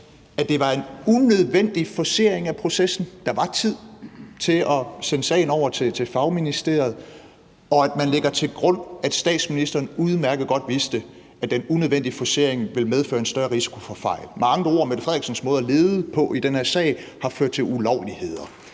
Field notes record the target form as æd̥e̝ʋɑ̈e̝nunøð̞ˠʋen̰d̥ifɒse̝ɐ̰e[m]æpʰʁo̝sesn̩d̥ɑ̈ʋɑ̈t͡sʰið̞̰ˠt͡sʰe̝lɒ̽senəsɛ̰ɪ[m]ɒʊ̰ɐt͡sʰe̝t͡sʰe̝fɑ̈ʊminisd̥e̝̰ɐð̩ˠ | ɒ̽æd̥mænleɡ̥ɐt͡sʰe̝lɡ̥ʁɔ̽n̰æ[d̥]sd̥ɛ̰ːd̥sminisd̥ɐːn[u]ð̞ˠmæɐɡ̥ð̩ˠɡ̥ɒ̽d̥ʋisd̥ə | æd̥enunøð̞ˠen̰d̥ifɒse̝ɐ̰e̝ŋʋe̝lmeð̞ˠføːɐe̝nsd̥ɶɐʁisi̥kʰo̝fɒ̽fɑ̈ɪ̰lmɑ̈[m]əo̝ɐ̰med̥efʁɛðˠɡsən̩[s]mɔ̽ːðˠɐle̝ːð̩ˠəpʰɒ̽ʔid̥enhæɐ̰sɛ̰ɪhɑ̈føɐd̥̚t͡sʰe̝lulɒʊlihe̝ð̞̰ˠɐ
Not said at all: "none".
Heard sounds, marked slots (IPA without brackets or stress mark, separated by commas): ŋ, n, d̥, u, ŋ, s